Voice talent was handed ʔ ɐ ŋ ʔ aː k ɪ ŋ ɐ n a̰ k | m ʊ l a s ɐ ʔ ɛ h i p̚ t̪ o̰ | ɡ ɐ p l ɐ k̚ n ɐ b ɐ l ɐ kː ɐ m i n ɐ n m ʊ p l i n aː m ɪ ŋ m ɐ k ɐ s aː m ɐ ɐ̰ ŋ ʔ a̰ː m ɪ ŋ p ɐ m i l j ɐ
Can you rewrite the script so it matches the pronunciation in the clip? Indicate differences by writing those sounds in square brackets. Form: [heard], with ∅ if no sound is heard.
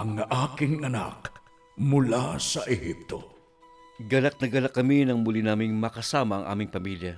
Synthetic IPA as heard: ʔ ɐ ŋ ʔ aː k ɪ ŋ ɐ n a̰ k | m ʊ l a s ɐ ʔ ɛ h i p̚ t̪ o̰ | ɡ ɐ [∅] l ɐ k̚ n ɐ [ɡ] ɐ l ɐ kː ɐ m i n ɐ [ŋ] m ʊ [∅] l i n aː m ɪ ŋ m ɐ k ɐ s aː m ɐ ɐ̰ ŋ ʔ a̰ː m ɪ ŋ p ɐ m i l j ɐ